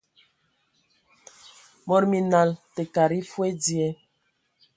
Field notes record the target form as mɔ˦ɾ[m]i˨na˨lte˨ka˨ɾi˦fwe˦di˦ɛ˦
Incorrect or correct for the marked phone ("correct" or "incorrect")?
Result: correct